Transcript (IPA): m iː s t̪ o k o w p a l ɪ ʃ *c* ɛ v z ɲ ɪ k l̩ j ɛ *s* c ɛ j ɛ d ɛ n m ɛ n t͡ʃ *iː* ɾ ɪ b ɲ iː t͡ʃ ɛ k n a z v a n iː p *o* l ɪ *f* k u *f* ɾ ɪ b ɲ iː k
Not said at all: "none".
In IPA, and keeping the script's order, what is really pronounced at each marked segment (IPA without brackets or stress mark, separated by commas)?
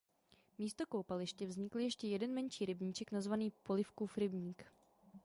c, ʃ, iː, o, f, f